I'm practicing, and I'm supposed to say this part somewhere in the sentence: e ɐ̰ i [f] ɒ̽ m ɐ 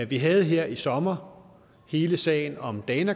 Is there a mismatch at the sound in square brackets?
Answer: yes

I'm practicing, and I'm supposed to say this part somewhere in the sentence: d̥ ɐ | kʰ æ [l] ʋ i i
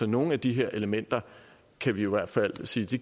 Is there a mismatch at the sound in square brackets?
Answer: yes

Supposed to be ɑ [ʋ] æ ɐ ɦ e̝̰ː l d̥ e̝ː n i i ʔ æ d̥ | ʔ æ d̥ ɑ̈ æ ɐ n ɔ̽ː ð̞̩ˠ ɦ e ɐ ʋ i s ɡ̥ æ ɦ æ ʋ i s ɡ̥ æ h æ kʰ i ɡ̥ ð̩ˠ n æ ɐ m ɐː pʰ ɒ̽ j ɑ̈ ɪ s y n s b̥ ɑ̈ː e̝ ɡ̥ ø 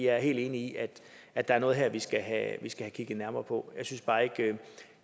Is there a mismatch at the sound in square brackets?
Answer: yes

